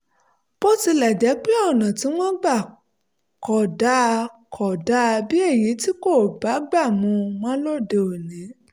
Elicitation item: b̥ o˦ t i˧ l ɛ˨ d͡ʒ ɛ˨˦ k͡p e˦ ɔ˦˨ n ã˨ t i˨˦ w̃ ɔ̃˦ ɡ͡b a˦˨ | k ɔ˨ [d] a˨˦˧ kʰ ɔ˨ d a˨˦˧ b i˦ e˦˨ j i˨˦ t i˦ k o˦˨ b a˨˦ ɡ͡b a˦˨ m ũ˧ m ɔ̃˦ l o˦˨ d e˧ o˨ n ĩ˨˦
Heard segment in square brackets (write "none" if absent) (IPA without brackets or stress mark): d